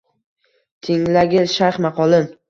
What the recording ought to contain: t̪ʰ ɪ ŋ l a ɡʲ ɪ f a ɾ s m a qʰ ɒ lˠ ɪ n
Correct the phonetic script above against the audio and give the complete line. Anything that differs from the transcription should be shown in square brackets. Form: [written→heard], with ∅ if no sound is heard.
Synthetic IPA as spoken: t̪ʰ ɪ ŋ l a ɡʲ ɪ [f→ʃ] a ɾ [s→χ] m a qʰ ɒ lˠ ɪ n